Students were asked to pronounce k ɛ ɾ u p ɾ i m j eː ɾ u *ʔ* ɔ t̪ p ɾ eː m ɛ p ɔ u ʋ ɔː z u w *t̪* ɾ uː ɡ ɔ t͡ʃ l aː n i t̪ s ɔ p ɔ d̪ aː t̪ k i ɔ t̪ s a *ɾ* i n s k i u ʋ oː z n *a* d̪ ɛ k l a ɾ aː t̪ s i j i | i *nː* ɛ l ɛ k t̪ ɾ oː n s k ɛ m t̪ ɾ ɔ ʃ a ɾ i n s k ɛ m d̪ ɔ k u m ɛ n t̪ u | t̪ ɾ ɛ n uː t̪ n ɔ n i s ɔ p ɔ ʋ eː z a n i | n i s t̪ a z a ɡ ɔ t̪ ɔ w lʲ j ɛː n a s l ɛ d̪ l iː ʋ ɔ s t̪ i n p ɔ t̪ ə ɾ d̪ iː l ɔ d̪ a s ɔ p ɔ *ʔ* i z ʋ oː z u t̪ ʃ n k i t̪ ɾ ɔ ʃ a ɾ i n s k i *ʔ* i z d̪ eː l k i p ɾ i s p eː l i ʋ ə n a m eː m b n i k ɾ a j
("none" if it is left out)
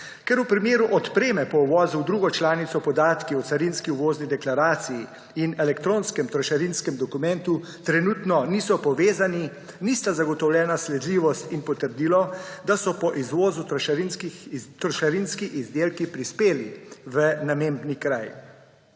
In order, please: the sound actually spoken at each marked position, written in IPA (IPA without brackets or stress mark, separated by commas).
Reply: ʔ, d̪, ɾ, i, n, ʔ, ʔ